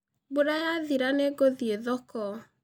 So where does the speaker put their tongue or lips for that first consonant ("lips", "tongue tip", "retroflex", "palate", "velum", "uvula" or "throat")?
lips